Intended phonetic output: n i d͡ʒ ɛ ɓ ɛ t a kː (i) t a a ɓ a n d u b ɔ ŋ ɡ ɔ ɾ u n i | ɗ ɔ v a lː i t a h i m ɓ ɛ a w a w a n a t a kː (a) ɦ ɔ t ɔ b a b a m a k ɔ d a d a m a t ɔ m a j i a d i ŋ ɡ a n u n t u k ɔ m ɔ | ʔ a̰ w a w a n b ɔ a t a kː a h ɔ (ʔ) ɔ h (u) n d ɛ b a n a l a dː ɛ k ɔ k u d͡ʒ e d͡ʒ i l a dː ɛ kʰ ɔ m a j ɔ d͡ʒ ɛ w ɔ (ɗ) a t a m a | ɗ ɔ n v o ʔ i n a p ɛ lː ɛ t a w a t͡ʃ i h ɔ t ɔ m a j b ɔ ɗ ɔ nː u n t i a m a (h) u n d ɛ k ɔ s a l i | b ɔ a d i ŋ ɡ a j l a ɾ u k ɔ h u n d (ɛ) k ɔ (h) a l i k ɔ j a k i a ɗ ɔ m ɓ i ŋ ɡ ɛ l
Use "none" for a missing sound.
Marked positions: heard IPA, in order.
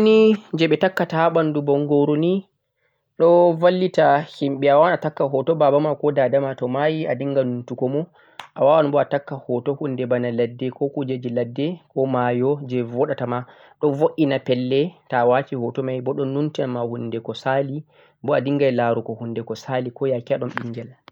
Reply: a, a, t, u, ɗ, h, ɛ, s

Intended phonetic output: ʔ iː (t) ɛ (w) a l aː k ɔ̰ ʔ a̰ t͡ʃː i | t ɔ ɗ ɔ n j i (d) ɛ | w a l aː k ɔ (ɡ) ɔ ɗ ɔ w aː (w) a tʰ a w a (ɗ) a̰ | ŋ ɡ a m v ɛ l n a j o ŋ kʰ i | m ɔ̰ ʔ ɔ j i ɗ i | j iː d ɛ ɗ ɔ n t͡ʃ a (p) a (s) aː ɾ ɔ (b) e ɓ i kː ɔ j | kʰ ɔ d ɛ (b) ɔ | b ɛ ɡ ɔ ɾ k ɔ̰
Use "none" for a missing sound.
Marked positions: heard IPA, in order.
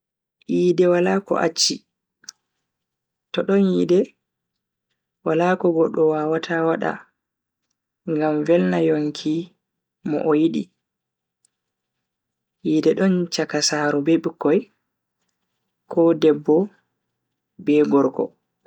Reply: d, w, d, ɡ, w, ɗ, k, s, b, bː

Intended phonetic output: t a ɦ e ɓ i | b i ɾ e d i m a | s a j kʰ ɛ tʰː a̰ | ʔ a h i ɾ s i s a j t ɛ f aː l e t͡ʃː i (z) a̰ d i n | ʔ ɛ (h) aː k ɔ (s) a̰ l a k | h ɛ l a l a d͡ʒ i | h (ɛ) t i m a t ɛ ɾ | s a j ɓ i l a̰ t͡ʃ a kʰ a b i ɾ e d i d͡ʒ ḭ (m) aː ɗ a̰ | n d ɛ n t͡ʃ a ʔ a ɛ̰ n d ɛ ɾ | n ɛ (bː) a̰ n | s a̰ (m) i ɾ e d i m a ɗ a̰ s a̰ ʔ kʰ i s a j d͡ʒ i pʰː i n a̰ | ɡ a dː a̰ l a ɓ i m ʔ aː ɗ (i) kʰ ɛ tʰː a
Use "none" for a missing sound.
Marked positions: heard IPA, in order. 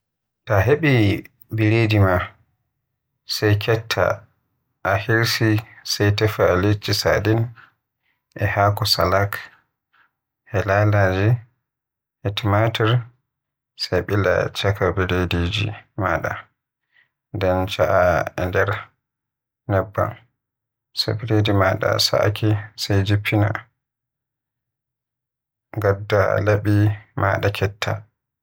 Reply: s, h, s, ɛ, m, bː, b, a

